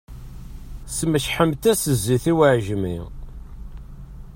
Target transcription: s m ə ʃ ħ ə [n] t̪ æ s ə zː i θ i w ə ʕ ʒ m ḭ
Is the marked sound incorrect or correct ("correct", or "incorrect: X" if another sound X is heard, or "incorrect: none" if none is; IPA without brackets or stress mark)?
incorrect: m